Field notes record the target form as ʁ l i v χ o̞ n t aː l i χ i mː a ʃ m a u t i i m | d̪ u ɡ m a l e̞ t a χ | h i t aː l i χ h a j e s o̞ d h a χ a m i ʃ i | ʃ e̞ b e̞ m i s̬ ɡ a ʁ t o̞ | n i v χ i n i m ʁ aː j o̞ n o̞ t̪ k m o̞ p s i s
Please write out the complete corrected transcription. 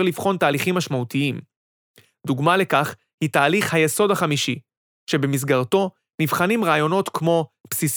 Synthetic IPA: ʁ l i v χ o̞ n t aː l i χ i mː a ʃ m a u t i i m | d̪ u ɡ m a l e̞ k a χ | h i t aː l i χ h a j e s o̞ d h a χ a m i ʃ i | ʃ e̞ b e̞ m i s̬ ɡ a ʁ t o̞ | n i v χ a n i m ʁ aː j o̞ n o̞ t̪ k m o̞ p s i s